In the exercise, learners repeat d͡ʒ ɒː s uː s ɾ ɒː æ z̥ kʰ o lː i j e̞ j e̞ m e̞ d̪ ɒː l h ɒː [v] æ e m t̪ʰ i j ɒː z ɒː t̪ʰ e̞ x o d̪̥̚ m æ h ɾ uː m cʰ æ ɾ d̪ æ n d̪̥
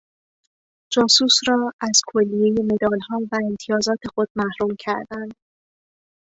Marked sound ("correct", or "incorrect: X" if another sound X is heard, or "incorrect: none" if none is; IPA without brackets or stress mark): correct